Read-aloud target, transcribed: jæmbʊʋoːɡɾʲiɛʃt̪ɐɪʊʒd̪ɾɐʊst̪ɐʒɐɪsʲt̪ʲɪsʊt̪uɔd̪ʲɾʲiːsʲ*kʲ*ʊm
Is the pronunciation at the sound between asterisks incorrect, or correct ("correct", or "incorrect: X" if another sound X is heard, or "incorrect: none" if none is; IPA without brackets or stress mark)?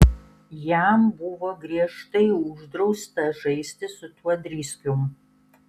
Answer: correct